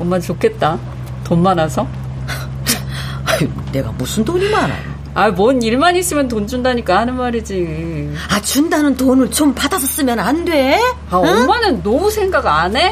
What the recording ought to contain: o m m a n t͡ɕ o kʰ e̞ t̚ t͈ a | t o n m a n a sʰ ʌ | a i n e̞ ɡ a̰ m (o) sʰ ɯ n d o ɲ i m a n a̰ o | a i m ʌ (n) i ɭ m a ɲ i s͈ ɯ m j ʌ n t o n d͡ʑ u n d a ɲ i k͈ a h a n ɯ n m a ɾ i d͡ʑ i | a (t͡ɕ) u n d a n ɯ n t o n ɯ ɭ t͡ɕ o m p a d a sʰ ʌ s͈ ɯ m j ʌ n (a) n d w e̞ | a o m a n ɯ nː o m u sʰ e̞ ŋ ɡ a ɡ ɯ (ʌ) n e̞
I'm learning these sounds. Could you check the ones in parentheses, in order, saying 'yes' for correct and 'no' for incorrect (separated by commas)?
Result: no, yes, yes, yes, no